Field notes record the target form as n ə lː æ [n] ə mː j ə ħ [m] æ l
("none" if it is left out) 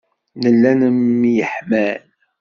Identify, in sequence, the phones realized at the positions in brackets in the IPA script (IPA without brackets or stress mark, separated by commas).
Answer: n, m